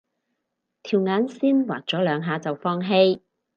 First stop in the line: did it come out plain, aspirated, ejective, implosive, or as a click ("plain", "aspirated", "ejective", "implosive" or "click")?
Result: aspirated